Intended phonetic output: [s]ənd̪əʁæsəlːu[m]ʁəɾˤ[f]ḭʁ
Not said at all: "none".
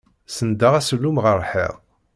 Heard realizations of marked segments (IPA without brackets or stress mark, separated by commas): s, m, ħ